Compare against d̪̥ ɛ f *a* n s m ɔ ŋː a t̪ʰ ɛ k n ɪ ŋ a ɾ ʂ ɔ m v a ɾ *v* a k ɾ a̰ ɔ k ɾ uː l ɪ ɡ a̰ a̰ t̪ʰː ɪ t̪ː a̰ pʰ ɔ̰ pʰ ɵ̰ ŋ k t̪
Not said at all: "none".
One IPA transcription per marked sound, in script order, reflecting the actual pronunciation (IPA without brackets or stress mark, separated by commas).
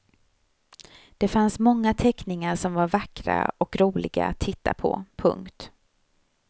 a, v